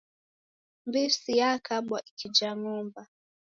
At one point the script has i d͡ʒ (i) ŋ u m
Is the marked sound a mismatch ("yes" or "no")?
yes